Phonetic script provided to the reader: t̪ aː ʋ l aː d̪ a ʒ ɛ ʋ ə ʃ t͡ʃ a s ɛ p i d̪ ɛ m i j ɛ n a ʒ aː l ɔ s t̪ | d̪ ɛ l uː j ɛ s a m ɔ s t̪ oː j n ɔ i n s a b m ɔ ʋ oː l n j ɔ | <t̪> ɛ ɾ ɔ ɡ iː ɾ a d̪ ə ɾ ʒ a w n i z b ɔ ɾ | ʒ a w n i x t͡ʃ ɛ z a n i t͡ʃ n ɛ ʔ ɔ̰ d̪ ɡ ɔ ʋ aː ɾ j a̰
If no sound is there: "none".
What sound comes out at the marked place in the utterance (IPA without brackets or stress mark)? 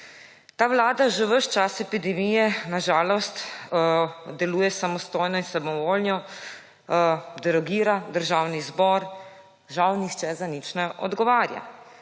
d̪